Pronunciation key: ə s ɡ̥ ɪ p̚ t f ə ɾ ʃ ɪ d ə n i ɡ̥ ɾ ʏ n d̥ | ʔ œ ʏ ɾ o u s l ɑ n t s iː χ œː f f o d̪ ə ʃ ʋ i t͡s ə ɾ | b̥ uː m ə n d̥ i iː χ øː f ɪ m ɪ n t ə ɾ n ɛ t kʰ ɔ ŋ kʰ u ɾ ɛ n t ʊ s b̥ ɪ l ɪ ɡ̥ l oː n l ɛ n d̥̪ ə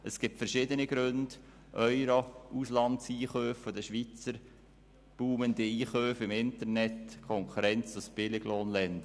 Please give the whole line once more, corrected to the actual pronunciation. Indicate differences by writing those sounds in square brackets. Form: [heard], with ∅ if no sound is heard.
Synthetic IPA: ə s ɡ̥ ɪ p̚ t f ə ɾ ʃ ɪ d ə n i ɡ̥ ɾ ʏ n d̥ | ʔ œ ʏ ɾ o u s l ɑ n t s iː χ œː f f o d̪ ə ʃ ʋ i t͡s ə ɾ | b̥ uː m ə n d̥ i iː χ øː f ɪ m ɪ n t ə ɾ n ɛ t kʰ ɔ ŋ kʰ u ɾ ɛ n [t͡s] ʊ s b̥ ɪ l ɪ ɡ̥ l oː n l ɛ n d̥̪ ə